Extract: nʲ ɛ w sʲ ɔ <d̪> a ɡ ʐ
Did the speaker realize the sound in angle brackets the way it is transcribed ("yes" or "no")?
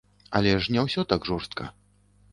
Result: no